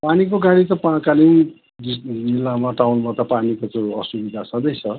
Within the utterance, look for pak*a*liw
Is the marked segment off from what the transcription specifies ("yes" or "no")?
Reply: no